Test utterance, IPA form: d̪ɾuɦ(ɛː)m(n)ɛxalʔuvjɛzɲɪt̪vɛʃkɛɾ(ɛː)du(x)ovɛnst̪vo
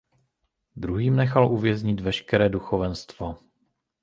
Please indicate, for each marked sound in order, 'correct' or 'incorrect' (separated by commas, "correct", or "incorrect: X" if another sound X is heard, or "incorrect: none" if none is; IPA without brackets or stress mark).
incorrect: iː, correct, correct, correct